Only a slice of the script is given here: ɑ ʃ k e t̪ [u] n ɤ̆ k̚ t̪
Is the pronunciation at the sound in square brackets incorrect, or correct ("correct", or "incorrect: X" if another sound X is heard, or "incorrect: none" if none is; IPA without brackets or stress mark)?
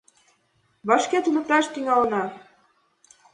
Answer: correct